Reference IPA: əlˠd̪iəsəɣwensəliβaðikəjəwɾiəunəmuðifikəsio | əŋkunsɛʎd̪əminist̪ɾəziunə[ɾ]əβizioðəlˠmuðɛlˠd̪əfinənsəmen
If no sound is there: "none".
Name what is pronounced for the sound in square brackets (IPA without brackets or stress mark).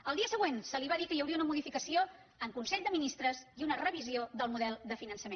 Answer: r